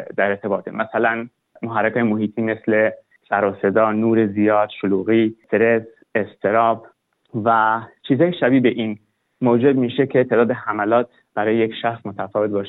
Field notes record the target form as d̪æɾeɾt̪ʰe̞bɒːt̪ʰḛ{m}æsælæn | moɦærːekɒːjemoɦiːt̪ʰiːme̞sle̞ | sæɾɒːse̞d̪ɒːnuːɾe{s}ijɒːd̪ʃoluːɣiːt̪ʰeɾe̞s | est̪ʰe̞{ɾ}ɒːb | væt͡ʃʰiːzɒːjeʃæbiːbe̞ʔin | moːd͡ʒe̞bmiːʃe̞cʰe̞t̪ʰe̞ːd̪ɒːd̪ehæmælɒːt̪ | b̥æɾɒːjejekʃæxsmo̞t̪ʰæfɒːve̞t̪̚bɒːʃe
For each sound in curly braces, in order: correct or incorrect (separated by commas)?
correct, incorrect, correct